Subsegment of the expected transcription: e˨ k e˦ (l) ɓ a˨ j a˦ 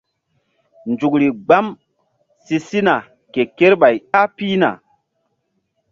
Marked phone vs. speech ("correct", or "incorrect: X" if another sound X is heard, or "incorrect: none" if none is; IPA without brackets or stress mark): incorrect: ɾ